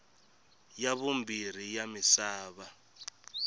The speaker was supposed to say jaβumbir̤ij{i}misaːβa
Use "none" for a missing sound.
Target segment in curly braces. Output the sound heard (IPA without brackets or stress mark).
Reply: a